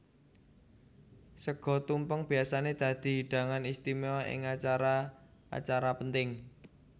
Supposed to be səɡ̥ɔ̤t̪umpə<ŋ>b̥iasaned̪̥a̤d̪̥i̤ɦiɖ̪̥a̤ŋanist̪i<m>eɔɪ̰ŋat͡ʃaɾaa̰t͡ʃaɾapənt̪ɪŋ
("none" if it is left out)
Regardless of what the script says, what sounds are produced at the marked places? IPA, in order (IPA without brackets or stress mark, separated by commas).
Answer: ŋ, m